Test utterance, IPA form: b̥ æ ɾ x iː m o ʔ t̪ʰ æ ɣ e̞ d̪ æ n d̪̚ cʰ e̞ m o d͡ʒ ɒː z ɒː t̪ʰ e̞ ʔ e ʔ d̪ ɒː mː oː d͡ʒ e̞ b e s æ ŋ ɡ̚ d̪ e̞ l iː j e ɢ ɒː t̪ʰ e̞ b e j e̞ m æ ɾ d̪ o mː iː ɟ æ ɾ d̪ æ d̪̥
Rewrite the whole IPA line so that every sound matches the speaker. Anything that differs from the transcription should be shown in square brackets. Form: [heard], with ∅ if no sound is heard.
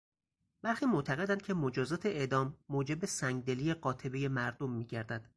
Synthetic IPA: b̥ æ ɾ x iː m o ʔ t̪ʰ æ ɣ e̞ d̪ æ n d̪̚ cʰ e̞ m o d͡ʒ ɒː z ɒː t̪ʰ e̞ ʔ e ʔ d̪ ɒː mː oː d͡ʒ e̞ b e s æ ŋ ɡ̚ d̪ e̞ l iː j e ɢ ɒː t̪ʰ e̞ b e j e̞ m æ ɾ d̪ o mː iː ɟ æ ɾ d̪ æ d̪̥